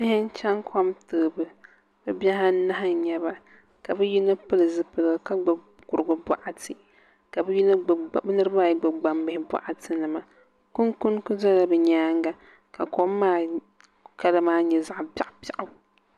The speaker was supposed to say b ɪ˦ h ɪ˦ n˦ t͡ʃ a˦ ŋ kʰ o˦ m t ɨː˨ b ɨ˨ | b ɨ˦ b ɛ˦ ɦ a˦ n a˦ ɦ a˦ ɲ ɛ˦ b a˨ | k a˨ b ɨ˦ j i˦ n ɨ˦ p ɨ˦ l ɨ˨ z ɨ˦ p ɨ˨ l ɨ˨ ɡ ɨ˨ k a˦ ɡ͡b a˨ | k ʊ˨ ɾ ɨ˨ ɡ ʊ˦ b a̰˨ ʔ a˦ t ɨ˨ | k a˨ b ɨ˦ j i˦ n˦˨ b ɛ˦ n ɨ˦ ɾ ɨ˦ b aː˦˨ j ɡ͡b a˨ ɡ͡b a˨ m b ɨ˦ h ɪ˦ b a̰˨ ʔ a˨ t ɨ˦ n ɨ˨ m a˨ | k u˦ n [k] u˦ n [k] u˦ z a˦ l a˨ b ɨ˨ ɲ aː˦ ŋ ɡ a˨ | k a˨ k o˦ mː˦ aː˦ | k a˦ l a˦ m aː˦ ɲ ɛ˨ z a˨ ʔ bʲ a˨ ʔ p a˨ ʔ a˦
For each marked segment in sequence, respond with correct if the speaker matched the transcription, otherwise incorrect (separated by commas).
correct, correct